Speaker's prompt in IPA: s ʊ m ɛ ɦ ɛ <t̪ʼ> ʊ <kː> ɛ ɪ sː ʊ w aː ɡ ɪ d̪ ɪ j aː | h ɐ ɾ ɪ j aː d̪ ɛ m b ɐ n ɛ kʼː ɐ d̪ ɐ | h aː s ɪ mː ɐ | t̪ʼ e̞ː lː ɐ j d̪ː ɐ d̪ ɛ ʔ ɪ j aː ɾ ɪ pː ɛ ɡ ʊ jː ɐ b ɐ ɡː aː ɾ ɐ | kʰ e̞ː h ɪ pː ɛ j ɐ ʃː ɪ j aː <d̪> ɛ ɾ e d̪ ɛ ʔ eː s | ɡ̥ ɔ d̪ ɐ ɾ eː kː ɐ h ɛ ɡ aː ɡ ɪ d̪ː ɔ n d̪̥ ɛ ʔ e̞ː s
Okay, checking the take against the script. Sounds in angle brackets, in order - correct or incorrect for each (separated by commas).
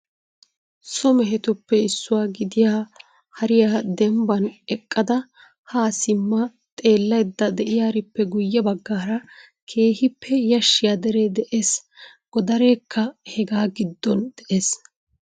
incorrect, incorrect, correct